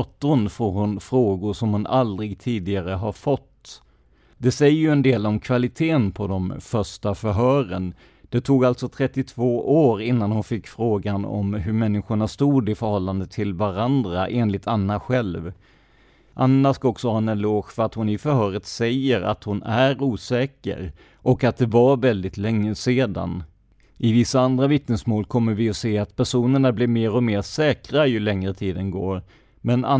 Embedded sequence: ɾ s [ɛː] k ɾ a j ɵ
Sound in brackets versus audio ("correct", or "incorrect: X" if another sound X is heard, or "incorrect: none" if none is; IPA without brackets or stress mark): correct